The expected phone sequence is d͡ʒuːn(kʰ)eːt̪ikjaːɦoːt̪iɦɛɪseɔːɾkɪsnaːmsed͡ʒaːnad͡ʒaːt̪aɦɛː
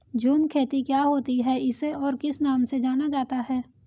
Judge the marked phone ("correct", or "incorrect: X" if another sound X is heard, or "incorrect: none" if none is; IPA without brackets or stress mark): correct